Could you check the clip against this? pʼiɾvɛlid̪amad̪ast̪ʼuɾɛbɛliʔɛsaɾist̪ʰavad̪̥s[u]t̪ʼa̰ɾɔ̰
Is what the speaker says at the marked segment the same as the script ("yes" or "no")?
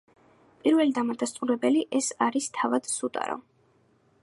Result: yes